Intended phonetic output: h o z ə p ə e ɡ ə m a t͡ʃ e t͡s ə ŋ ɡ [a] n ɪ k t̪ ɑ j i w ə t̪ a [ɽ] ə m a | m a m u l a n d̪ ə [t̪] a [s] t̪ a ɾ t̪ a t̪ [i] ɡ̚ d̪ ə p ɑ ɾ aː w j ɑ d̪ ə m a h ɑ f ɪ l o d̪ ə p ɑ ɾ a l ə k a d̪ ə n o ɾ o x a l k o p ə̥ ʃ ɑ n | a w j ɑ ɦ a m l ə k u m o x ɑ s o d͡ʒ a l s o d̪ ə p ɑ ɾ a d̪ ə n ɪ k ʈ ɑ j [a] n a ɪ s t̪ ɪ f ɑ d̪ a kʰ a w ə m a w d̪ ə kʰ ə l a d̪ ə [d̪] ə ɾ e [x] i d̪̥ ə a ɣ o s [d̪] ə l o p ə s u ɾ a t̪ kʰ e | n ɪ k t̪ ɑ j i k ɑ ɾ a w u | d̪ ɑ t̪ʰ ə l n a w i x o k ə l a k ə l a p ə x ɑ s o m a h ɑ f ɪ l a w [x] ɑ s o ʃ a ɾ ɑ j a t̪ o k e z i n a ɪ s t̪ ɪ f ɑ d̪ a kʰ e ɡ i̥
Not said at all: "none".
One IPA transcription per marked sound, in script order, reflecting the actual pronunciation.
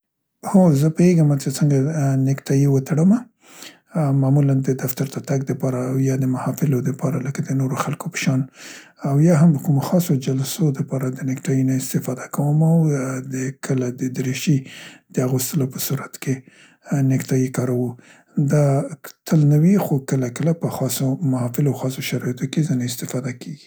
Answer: a, ɽ, d̪, f, a, i, d̪, ʃ, t̪, x

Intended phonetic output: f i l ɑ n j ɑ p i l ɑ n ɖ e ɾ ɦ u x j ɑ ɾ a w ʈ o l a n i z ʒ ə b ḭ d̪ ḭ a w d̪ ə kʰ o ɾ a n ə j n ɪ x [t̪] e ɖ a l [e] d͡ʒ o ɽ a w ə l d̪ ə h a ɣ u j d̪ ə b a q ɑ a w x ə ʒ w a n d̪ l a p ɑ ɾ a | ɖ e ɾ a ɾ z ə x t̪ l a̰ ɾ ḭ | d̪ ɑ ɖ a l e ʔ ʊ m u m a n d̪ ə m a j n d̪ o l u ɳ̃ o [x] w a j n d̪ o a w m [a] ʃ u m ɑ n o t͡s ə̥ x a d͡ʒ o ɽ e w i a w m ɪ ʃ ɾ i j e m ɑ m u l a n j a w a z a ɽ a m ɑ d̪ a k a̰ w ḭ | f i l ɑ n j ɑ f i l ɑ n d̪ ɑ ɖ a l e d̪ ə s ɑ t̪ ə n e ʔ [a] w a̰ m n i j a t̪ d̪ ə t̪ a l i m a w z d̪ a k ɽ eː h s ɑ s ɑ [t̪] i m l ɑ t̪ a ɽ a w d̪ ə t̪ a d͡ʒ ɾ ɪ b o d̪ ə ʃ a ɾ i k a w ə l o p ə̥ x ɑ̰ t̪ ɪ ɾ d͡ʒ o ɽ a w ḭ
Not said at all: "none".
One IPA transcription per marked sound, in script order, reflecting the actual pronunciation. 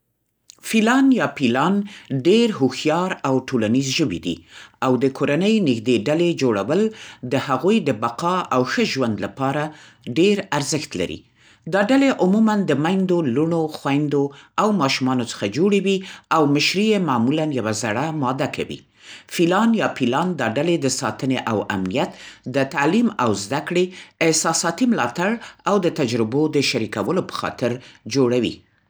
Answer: d̪, e, x, ɑ, a, t̪

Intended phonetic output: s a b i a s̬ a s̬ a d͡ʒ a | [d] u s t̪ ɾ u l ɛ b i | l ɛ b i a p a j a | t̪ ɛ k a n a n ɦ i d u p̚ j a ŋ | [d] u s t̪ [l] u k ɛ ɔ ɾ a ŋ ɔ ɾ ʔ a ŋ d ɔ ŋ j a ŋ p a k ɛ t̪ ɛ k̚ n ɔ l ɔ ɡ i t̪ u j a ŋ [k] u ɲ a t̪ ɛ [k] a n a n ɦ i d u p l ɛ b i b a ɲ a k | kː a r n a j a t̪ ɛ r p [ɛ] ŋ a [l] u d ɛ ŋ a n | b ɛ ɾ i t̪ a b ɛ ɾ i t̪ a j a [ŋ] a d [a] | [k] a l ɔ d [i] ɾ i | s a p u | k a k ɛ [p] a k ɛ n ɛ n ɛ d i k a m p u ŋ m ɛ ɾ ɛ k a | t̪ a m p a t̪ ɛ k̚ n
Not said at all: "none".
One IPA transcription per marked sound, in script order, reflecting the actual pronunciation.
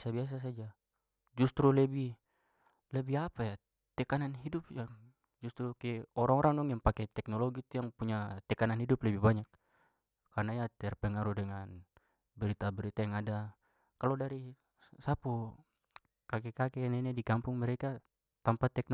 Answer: d͡ʒ, d͡ʒ, ɾ, p, k, ɛ, ɾ, ŋ, a, k, a, k

